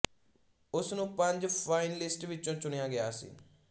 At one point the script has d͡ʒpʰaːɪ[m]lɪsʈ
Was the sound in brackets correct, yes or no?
no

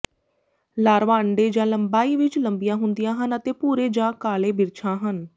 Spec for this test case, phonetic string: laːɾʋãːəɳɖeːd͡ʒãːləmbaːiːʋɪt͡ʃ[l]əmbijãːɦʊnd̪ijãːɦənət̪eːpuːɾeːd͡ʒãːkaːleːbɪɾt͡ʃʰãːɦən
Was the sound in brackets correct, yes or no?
yes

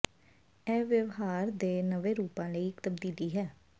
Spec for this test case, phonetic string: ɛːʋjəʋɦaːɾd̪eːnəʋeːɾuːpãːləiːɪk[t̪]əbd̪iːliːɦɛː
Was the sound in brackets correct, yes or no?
yes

